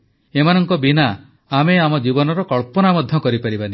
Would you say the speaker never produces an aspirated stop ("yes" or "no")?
yes